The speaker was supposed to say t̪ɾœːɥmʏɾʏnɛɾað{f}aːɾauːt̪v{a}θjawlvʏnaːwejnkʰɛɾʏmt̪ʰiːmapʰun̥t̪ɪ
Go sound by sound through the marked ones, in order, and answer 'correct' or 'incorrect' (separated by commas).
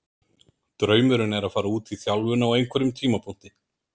correct, incorrect